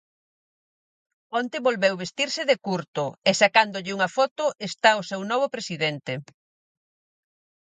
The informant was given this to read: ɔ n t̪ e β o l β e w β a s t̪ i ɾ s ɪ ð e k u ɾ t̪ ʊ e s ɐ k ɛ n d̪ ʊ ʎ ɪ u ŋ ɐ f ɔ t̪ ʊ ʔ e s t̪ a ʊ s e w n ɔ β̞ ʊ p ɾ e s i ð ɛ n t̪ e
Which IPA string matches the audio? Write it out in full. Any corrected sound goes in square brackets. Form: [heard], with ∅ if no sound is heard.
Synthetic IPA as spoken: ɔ n t̪ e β o l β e w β [e] s t̪ i ɾ s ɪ ð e k u ɾ t̪ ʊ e s [a] k [a] n d̪ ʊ ʎ ɪ u ŋ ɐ f ɔ t̪ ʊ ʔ e s t̪ a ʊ s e w n ɔ β̞ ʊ p ɾ e s i ð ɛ n t̪ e